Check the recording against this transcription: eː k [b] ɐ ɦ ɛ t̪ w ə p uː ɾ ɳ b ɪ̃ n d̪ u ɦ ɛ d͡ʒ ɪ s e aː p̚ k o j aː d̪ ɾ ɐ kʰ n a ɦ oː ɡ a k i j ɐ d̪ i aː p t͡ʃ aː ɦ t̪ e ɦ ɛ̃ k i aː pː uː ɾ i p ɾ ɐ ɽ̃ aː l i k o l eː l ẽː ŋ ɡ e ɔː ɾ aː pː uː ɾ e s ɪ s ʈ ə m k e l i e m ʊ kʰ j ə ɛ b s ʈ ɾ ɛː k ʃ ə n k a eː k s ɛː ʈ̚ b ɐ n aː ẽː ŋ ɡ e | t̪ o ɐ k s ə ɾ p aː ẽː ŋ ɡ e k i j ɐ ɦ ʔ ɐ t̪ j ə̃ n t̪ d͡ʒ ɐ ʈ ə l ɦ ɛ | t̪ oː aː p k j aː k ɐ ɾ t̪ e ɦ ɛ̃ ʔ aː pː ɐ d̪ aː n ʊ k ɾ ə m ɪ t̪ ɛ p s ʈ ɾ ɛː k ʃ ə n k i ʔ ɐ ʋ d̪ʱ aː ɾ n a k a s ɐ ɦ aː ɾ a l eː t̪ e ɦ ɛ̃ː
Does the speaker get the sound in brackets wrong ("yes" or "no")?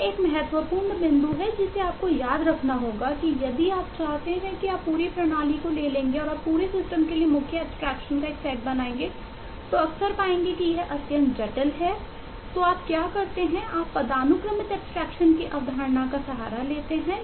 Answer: yes